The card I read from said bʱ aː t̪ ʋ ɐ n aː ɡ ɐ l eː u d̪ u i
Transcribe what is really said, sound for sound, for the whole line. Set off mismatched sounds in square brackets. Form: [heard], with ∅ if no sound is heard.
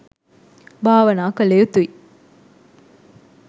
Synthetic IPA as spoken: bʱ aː [∅] ʋ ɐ n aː [k] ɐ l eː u [t̪] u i